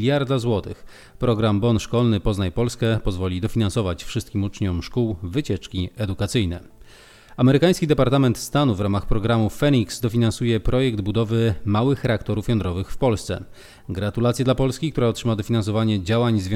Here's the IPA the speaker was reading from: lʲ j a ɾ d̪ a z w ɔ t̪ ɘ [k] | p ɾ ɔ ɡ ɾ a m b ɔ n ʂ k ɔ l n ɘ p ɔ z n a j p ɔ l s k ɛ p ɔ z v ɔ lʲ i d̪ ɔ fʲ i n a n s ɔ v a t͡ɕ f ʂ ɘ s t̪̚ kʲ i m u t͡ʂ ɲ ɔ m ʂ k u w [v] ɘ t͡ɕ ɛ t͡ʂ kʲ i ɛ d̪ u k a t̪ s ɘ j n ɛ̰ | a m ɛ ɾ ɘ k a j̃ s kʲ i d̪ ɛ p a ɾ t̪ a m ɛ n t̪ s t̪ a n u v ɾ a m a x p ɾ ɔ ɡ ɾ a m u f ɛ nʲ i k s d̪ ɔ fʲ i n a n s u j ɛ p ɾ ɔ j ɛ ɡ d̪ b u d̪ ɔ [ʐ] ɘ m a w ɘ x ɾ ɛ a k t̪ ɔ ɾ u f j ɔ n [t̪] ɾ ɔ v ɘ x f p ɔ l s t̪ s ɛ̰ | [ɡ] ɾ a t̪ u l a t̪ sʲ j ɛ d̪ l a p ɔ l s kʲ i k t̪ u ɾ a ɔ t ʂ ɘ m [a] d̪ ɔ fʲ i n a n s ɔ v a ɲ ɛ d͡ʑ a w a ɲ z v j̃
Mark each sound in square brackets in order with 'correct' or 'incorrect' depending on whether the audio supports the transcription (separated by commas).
incorrect, correct, incorrect, incorrect, correct, correct